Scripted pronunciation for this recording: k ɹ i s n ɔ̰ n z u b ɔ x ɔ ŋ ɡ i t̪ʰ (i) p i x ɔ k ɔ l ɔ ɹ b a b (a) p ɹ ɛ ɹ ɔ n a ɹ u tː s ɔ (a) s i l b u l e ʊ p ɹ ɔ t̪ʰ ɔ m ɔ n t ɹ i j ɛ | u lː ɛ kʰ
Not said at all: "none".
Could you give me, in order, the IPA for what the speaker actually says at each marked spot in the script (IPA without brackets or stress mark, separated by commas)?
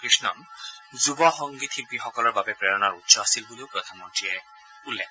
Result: i, ɛ, a